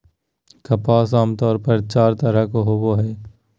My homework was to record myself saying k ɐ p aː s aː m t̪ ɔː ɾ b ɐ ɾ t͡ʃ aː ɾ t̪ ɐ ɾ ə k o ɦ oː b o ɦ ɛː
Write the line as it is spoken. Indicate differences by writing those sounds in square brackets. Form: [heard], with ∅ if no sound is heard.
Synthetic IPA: k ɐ p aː s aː m t̪ ɔː ɾ [p] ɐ ɾ t͡ʃ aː ɾ t̪ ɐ ɾ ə k o ɦ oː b o ɦ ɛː